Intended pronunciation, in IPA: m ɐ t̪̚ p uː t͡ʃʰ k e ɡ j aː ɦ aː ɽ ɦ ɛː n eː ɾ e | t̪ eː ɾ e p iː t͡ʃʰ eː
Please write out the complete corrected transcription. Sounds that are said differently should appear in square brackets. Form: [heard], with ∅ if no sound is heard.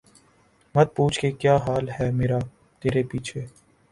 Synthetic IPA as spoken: m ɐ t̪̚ p uː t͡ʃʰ k e [k] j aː ɦ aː [l] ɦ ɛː [m] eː ɾ [a] | t̪ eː ɾ e p iː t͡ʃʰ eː